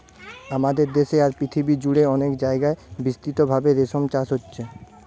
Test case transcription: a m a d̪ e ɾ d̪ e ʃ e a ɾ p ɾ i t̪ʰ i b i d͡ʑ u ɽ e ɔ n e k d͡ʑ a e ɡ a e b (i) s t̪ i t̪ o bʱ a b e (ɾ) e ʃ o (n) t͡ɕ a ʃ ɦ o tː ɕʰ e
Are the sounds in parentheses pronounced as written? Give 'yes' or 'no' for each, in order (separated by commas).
yes, yes, no